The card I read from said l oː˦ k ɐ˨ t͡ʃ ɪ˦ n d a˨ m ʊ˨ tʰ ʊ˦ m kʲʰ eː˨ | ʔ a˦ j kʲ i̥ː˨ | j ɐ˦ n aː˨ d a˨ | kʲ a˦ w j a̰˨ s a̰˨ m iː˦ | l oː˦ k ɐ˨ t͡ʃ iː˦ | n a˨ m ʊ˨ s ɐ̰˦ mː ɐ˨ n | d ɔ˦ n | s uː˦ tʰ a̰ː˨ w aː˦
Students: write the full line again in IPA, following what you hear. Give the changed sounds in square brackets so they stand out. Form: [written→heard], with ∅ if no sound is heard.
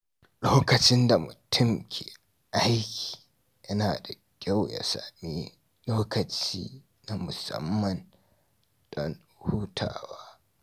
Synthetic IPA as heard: l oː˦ k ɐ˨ t͡ʃ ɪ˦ n d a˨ m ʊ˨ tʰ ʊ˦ m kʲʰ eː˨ | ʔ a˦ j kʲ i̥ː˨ | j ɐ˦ n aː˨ d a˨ | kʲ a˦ w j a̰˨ s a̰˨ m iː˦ | l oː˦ k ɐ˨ t͡ʃ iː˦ | n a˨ m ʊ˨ s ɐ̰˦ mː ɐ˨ n | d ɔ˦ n | [s→h] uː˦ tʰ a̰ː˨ w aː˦